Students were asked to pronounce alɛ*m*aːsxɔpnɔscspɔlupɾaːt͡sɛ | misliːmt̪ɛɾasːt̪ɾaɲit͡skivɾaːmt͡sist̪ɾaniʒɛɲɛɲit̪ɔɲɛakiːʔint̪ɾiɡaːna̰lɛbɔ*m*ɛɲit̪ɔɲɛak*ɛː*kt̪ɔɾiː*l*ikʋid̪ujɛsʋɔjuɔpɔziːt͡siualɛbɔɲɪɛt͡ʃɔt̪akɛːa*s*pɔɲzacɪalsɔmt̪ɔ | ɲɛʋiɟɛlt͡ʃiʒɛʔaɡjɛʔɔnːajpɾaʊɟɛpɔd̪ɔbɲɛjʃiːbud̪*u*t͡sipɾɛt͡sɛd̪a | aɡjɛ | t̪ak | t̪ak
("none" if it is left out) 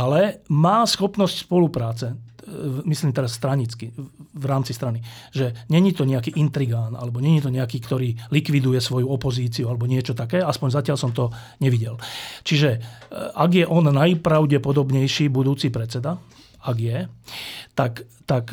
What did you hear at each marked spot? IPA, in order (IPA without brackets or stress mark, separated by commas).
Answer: m, ɲ, iː, l, s, uː